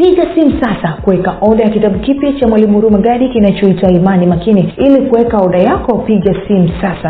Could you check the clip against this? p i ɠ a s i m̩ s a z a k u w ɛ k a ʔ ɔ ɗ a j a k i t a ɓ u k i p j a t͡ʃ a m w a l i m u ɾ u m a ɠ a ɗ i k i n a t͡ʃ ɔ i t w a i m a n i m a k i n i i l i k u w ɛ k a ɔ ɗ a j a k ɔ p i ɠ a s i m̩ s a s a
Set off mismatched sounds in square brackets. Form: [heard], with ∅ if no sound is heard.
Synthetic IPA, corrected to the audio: p i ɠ a s i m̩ s a [s] a k u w ɛ k a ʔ ɔ ɗ a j a k i t a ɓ u k i p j a t͡ʃ a m w a l i m u ɾ u m a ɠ a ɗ i k i n a t͡ʃ ɔ i t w a i m a n i m a k i n i i l i k u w ɛ k a ɔ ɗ a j a k ɔ p i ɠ a s i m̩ s a s a